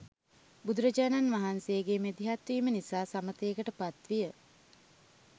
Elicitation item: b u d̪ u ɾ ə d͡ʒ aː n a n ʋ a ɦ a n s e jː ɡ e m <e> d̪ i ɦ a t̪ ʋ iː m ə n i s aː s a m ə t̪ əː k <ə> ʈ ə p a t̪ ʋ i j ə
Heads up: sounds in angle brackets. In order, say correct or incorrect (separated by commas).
correct, correct